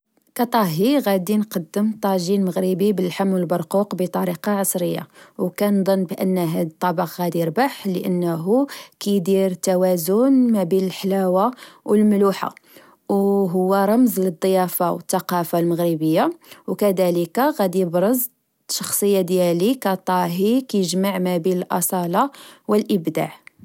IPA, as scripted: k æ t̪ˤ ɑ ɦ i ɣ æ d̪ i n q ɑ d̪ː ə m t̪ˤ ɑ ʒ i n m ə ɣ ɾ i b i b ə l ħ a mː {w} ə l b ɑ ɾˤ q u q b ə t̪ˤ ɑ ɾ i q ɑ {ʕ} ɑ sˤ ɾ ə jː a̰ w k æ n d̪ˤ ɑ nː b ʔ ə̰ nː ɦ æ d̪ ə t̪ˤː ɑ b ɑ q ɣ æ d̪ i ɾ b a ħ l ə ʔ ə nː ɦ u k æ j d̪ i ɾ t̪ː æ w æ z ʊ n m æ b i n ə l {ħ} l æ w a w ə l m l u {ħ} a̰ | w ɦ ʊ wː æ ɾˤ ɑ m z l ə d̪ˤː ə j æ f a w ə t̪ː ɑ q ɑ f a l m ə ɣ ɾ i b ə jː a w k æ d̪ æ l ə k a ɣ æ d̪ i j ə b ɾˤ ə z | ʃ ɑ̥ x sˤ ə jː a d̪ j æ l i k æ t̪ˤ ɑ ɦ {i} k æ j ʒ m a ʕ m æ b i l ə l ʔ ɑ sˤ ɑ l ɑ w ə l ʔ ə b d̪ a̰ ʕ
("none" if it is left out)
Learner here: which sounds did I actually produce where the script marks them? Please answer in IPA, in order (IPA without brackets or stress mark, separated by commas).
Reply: w, ʕ, ħ, ħ, i